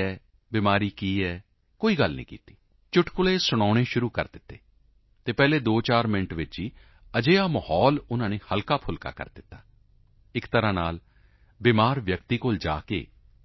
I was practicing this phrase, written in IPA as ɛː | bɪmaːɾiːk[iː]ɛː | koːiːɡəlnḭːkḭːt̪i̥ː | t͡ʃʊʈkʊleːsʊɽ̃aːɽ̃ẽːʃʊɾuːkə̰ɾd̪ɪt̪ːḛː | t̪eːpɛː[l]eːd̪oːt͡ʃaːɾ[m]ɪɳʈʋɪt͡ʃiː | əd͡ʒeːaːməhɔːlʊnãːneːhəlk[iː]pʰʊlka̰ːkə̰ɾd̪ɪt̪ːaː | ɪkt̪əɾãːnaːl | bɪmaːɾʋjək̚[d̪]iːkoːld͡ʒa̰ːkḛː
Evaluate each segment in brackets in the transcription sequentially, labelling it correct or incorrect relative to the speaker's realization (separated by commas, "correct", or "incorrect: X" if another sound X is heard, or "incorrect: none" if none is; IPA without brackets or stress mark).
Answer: correct, correct, correct, incorrect: aː, incorrect: t̪